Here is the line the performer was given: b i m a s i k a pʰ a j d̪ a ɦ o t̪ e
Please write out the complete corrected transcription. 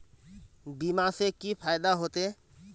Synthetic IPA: b i m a s e k i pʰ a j d̪ a ɦ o t̪ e